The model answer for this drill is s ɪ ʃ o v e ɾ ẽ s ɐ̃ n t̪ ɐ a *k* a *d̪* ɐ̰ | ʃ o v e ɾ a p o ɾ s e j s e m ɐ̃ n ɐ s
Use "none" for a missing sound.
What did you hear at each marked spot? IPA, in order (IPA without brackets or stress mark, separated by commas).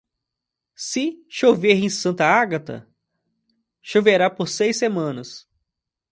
ɡ, t̪